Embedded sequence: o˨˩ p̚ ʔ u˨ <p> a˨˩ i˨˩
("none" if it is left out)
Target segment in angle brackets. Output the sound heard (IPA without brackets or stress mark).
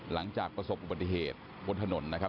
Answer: b